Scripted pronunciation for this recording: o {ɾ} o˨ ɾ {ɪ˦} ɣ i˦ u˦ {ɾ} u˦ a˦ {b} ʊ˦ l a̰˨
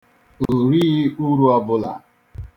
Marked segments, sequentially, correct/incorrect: incorrect: none, incorrect: i˦, correct, correct

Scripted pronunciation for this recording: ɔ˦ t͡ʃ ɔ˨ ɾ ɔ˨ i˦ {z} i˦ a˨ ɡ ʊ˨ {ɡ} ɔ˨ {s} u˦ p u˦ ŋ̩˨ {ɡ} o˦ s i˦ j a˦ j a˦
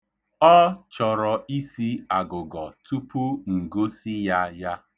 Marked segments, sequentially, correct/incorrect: incorrect: s, correct, incorrect: t, correct

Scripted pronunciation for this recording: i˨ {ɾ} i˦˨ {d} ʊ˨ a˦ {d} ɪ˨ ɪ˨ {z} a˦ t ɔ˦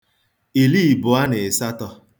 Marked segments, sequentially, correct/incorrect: incorrect: l, incorrect: b, incorrect: n, incorrect: s

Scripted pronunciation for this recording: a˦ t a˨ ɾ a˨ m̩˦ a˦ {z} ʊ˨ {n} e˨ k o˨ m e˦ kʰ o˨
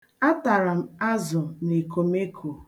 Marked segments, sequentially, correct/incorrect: correct, correct

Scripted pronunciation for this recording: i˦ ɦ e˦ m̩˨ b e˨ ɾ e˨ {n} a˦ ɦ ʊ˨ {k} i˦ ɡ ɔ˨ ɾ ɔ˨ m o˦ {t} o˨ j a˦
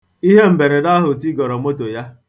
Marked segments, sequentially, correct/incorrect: incorrect: d, incorrect: t, correct

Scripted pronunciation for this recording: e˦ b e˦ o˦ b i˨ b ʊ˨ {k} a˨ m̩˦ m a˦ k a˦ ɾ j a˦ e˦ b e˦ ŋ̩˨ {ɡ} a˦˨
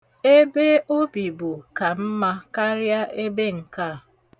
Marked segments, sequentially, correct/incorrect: correct, incorrect: k

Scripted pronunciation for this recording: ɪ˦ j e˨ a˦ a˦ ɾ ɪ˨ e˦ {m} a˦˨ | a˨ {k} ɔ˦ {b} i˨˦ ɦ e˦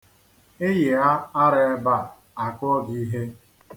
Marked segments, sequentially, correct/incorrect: incorrect: b, correct, incorrect: ɡ

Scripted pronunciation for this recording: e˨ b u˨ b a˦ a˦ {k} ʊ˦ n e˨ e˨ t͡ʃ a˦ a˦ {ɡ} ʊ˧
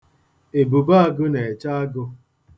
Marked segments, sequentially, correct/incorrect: incorrect: ɡ, correct

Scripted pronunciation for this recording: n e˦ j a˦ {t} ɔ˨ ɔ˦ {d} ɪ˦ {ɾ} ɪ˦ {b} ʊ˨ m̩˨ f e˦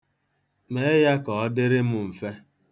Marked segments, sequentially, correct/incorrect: incorrect: k, correct, correct, incorrect: m

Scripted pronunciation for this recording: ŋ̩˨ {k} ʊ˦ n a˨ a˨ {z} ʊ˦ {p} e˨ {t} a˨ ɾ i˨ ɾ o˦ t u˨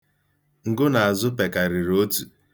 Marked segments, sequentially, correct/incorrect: incorrect: ɡ, correct, correct, incorrect: k

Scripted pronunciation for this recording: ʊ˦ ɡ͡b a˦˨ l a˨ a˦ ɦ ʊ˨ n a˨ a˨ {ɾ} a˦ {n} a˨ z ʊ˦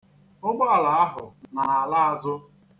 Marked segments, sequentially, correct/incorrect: incorrect: l, incorrect: none

